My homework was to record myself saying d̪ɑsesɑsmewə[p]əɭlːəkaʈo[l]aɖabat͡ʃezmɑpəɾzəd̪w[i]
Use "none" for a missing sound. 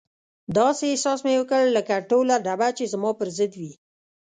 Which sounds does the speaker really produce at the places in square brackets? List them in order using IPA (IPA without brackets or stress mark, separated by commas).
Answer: k, l, i